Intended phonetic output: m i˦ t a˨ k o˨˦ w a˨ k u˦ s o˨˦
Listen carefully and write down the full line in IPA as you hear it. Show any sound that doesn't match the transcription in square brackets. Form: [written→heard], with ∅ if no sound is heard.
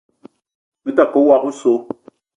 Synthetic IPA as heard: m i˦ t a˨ k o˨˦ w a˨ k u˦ s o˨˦